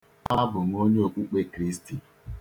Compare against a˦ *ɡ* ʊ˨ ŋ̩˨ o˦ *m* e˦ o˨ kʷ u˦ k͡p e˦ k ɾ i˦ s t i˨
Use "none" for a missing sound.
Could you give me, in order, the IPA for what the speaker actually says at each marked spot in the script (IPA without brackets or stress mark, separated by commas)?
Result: b, ɲ